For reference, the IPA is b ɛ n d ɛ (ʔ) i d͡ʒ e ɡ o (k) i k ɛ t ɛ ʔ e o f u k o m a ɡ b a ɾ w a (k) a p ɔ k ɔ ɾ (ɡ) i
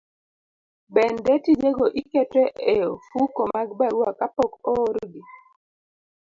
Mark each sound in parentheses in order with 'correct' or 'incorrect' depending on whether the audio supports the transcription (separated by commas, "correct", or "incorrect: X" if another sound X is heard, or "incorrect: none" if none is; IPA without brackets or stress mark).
incorrect: t, incorrect: ʔ, correct, correct